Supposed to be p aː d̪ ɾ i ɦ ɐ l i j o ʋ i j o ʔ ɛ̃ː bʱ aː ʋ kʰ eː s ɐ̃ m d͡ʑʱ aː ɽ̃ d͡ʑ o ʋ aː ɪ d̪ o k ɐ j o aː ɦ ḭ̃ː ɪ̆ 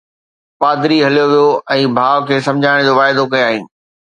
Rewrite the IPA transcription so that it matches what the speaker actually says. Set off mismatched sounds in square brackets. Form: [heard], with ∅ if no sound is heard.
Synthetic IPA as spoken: p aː d̪ ɾ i ɦ ɐ l i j o ʋ i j o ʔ ɛ̃ː bʱ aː ʋ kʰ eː s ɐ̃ m d͡ʑʱ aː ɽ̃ d͡ʑ o ʋ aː ɪ d̪ o k ɐ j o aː ɦ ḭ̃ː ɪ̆